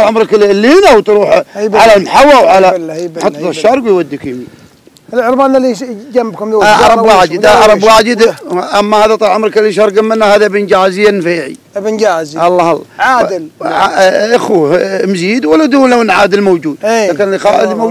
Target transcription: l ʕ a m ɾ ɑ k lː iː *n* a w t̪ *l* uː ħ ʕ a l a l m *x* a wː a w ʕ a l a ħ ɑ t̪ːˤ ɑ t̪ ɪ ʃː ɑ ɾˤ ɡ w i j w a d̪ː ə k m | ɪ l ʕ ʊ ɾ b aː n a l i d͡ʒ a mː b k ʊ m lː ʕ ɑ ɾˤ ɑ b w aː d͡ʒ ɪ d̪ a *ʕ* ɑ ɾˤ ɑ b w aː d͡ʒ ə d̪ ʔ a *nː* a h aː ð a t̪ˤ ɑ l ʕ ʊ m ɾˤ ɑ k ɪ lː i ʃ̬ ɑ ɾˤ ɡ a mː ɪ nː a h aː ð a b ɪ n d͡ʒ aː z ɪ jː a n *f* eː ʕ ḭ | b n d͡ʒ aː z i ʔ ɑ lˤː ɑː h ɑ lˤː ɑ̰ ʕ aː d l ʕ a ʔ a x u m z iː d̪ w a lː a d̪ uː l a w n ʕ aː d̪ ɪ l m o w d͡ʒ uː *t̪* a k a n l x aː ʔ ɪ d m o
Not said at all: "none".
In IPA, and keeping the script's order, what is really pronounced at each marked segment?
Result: n, ɾ, ħ, ʕ, mː, f, d̪

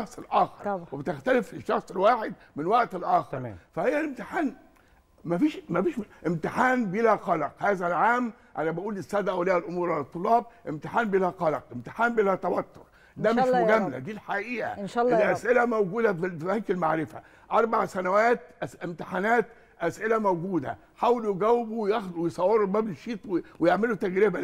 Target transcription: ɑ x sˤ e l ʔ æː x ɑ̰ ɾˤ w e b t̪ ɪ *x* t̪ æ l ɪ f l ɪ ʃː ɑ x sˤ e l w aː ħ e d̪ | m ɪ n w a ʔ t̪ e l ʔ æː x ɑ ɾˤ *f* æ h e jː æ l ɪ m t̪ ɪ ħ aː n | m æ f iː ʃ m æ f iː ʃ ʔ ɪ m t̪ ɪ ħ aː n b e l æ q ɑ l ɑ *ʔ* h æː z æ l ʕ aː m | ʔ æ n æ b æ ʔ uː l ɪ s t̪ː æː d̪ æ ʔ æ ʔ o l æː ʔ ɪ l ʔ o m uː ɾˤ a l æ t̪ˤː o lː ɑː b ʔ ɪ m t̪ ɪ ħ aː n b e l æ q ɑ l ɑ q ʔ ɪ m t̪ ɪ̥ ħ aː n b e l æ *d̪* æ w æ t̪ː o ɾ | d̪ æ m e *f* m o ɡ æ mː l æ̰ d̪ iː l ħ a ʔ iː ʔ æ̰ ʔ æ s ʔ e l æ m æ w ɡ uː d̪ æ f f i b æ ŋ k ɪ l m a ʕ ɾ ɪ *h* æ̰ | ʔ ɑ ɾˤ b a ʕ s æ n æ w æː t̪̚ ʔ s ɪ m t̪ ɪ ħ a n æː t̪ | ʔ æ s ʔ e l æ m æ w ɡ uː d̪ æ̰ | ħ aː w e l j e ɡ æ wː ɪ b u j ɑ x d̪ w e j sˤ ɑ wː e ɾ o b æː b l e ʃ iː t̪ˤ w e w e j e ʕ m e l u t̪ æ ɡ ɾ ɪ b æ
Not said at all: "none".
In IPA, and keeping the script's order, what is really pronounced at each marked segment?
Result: x, f, q, t̪, ʃ, f

